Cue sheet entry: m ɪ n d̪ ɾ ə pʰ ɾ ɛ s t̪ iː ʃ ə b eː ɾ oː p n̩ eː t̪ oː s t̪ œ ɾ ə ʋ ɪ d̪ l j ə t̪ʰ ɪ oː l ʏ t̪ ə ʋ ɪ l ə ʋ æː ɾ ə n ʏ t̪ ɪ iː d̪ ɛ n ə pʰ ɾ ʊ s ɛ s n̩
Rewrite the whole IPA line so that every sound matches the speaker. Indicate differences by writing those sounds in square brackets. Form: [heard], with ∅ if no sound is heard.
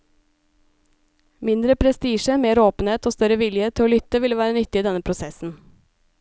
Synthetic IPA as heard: m ɪ n d̪ ɾ ə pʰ ɾ ɛ s t̪ iː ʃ ə [m] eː ɾ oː p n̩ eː t̪ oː s t̪ œ ɾ ə ʋ ɪ [∅] l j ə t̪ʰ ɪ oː l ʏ t̪ ə ʋ ɪ l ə ʋ æː ɾ ə n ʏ t̪ ɪ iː d̪ ɛ n ə pʰ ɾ ʊ s ɛ s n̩